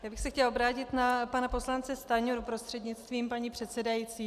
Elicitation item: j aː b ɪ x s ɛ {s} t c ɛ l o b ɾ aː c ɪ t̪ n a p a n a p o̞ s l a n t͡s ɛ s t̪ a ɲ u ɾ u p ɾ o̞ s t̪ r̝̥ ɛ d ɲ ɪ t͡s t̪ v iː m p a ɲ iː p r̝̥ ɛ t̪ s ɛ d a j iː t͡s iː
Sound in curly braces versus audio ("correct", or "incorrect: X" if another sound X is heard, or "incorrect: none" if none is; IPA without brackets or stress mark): incorrect: x